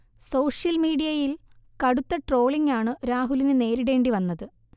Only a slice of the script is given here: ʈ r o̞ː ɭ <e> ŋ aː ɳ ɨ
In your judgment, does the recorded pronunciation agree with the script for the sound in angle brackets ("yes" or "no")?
no